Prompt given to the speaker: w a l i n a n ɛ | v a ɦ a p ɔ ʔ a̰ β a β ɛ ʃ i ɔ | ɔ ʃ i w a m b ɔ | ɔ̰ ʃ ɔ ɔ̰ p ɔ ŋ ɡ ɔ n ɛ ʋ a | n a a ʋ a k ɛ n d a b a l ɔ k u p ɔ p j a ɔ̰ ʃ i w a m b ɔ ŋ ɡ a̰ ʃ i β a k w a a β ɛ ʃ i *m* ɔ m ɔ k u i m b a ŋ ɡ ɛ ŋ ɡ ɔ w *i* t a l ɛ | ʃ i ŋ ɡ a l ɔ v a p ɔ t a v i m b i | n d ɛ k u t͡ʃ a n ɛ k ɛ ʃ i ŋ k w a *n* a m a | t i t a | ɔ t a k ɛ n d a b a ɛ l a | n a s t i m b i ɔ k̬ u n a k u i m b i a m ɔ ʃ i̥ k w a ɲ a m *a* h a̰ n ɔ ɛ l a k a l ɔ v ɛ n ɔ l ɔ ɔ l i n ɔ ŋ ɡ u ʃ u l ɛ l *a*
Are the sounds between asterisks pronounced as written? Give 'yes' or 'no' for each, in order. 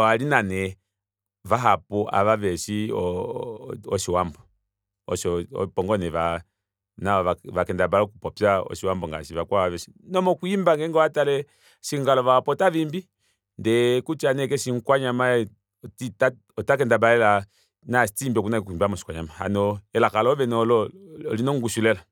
no, no, no, yes, yes

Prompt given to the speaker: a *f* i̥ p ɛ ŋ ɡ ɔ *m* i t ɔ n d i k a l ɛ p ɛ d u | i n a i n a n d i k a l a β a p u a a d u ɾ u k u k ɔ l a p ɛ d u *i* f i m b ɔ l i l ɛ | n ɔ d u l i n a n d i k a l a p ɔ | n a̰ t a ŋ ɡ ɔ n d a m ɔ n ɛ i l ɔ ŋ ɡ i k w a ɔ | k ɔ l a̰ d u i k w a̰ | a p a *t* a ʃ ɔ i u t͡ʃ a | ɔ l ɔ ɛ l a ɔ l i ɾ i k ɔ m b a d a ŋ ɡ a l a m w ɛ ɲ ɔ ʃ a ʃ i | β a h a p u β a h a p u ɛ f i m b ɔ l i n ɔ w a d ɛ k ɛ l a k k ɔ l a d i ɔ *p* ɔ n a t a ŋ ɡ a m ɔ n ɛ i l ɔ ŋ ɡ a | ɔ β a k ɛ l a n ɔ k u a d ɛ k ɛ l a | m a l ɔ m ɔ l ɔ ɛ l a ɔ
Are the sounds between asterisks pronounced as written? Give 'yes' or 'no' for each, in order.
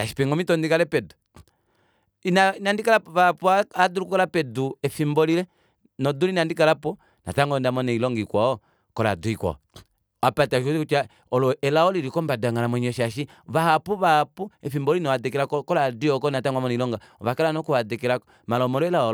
no, yes, no, yes, no

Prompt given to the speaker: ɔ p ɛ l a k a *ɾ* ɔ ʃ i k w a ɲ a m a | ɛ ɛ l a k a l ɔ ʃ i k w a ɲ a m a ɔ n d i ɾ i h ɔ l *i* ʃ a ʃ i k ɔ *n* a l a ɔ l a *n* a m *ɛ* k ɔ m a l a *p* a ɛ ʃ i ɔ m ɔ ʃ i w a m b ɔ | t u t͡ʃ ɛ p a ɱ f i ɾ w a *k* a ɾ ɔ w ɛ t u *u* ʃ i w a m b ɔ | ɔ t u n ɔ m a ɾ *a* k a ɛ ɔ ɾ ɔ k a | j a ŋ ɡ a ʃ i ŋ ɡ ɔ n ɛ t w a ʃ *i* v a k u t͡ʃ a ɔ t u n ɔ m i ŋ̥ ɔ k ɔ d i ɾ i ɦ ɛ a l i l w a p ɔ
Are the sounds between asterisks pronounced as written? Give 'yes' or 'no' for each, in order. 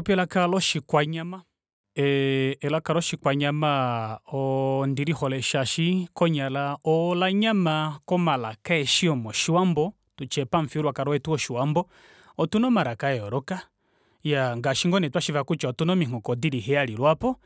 no, no, no, no, no, no, yes, no, yes, yes

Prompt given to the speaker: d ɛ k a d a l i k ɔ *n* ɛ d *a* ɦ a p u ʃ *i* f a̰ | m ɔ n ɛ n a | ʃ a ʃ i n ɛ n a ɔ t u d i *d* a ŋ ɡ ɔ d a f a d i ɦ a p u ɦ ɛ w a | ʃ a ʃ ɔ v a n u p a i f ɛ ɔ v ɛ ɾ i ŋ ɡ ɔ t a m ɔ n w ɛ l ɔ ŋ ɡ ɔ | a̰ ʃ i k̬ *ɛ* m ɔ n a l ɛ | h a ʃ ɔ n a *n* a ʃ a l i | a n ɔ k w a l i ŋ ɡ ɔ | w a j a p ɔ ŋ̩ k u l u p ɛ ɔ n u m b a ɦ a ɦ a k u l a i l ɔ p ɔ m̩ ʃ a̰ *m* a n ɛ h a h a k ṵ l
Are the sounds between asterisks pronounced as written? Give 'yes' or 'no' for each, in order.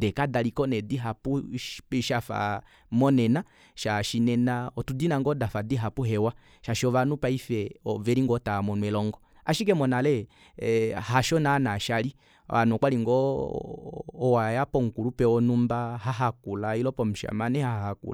yes, no, no, no, yes, yes, yes

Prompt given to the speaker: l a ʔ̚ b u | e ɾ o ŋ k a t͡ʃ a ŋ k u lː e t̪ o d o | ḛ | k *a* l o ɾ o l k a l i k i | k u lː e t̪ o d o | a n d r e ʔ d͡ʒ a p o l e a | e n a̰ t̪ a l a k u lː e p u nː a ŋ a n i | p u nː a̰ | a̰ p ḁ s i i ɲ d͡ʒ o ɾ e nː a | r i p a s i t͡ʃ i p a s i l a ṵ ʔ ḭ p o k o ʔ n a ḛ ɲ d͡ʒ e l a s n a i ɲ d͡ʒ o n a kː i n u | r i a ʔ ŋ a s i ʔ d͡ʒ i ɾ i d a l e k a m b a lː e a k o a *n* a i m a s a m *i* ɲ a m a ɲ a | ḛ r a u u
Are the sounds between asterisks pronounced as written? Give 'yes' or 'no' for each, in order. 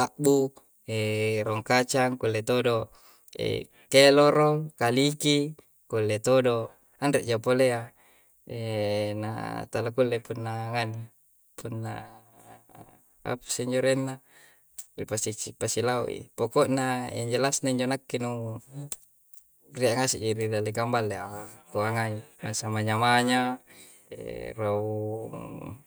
no, no, no

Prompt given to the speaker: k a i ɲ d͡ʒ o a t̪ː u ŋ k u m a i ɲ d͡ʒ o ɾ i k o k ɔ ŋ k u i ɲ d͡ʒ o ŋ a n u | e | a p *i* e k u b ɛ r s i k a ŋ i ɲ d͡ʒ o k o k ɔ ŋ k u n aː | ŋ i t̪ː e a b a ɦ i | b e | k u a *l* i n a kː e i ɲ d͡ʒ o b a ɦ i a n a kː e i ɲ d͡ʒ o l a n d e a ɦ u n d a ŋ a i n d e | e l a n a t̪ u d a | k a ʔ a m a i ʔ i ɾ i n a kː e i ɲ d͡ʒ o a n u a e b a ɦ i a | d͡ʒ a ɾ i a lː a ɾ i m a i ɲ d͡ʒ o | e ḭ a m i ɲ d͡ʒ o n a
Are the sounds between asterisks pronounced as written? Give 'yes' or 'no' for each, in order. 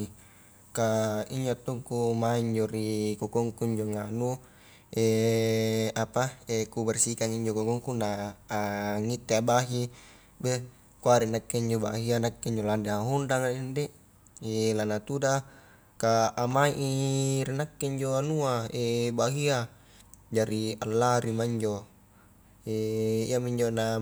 no, no

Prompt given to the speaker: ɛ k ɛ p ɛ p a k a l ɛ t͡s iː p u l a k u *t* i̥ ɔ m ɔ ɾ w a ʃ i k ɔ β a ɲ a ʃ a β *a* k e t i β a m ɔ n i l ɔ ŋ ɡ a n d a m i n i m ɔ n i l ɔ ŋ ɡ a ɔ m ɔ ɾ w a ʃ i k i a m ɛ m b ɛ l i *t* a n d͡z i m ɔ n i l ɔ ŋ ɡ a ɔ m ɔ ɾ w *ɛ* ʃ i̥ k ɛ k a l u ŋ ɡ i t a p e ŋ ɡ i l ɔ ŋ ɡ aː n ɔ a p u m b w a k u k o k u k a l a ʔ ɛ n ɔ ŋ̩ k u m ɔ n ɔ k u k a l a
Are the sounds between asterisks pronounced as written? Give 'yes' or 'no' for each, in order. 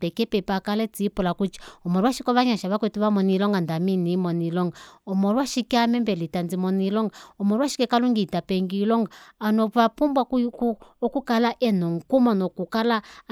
no, yes, yes, no

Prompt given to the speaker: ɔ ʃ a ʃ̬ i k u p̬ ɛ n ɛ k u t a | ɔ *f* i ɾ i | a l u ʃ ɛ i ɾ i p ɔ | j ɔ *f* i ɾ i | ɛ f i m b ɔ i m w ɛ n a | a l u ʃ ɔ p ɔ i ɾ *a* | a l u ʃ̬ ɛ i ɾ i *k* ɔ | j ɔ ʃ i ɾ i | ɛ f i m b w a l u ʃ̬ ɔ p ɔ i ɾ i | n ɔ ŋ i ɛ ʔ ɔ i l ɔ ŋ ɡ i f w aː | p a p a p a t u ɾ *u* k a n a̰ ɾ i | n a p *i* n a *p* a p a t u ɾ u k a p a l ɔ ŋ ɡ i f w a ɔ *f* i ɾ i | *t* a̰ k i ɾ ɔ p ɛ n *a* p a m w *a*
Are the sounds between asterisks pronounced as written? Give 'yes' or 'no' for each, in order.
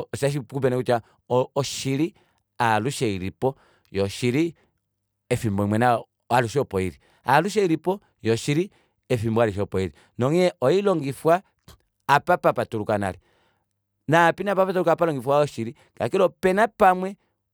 no, no, no, no, yes, yes, yes, no, no, yes, no

